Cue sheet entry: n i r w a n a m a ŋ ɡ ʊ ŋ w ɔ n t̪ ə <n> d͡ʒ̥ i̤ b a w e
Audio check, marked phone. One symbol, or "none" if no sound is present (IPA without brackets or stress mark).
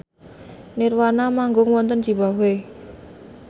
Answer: n